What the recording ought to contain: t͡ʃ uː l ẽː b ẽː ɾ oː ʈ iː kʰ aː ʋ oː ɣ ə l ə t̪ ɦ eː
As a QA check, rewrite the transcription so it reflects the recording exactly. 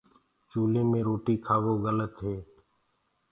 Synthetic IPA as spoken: t͡ʃ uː l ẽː m ẽː ɾ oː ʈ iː kʰ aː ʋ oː ɣ ə l ə t̪ ɦ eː